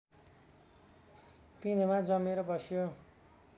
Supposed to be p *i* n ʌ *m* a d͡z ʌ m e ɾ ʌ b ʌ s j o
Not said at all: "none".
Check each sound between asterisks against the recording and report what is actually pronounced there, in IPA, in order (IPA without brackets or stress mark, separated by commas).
i, m